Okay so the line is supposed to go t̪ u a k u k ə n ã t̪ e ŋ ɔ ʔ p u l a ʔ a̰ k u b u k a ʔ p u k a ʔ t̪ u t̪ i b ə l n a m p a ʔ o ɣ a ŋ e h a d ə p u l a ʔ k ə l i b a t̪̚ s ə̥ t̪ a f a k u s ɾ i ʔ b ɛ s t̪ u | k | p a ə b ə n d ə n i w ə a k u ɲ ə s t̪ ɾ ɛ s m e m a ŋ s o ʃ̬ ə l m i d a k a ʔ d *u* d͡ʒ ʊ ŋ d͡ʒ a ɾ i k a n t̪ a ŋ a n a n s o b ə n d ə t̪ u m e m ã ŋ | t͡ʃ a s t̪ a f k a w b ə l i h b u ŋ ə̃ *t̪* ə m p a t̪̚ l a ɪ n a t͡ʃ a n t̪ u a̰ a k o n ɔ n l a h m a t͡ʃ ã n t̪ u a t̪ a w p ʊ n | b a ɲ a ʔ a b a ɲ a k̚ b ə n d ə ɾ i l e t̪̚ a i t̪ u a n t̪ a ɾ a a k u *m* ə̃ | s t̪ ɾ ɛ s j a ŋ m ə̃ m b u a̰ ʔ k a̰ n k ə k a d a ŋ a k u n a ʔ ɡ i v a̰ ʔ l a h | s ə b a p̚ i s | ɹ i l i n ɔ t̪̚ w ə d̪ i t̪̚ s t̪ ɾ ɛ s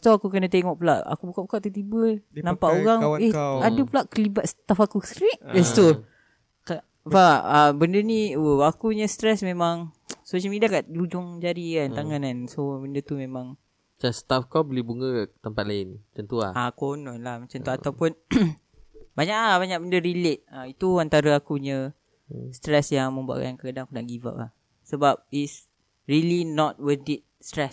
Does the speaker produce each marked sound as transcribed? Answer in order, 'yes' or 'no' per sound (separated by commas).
yes, yes, no